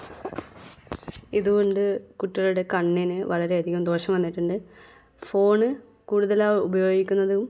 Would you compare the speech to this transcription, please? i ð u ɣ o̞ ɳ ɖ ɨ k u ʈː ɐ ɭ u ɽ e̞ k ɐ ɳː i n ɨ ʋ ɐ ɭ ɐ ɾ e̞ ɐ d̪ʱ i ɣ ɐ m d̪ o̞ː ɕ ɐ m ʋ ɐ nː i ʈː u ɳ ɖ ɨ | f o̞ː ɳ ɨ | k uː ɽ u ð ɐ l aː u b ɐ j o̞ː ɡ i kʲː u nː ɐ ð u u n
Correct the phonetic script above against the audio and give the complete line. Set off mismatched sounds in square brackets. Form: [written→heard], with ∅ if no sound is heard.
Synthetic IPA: i ð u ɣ o̞ ɳ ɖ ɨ k u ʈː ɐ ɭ u ɽ e̞ k ɐ ɳː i n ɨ ʋ ɐ ɭ ɐ ɾ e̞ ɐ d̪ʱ i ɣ ɐ m d̪ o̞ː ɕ ɐ m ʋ ɐ nː i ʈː u ɳ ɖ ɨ | f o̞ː ɳ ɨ | k uː ɽ u ð ɐ l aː u b ɐ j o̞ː ɡ i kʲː u nː ɐ ð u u [n→m]